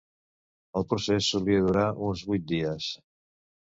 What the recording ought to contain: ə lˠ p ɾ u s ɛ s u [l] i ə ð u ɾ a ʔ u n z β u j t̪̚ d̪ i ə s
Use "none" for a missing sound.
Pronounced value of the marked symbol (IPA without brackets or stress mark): l